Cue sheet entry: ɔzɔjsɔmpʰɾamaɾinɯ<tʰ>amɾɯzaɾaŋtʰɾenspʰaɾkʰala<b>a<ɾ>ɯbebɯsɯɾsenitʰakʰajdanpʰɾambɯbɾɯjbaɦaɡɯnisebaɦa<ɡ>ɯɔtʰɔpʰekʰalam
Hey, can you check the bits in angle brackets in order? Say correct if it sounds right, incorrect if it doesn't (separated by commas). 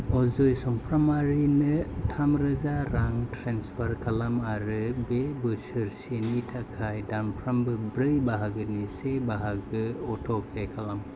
correct, incorrect, correct, correct